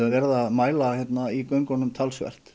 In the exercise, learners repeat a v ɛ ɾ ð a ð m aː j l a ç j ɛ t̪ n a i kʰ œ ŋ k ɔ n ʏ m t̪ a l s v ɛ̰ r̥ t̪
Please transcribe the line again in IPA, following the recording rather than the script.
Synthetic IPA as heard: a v ɛ ɾ ð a ð m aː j l a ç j ɛ t̪ n a i k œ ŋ k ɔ n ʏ m t̪ʰ a l s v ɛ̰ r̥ t̪